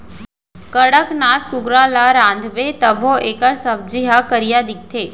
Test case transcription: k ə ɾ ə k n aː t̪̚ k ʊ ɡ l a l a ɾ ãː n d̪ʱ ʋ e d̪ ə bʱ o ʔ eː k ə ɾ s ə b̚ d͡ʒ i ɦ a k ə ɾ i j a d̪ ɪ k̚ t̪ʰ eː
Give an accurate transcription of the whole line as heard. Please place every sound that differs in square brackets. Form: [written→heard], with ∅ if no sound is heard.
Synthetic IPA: k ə [ɾ→ɽ] ə k n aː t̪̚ k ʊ ɡ [l→ɾ] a l a ɾ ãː n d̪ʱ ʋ e [d̪→t̪] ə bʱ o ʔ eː k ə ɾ s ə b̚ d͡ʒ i ɦ a k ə ɾ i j a d̪ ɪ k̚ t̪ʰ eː